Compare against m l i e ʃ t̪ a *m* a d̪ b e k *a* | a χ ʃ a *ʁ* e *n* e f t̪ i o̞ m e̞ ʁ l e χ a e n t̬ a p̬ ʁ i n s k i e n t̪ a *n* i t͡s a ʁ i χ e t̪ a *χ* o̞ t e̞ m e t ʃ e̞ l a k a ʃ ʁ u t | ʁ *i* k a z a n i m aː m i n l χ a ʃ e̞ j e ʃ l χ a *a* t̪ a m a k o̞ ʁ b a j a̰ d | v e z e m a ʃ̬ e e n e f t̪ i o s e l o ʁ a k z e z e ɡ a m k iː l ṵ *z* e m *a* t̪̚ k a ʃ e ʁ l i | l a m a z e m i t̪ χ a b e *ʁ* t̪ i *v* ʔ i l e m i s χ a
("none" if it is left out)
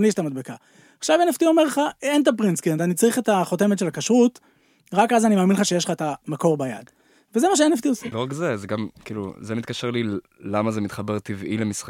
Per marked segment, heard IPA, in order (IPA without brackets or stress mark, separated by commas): m, a, v, n, n, χ, a, e, z, i, ʁ, v